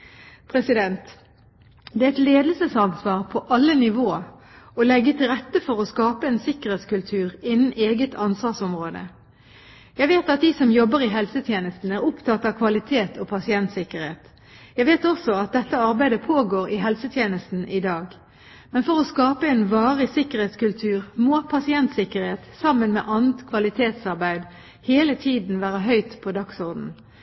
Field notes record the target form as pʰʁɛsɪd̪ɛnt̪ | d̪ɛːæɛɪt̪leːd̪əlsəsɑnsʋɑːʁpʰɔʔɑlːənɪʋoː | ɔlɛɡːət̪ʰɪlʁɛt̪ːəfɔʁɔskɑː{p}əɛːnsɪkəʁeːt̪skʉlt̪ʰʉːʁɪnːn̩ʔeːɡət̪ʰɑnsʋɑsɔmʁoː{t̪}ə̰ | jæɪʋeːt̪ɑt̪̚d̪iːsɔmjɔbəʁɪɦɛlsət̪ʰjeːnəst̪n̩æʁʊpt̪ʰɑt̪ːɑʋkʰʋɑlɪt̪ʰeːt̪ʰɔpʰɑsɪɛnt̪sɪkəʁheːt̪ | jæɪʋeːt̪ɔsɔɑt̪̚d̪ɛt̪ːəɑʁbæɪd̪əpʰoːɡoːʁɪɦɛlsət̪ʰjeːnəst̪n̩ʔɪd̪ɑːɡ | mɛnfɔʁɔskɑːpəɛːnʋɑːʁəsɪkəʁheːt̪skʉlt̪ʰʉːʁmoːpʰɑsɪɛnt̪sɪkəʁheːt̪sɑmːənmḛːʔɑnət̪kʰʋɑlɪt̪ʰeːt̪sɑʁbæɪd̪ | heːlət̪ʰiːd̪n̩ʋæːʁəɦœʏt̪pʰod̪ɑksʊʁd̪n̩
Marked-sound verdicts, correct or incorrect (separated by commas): correct, incorrect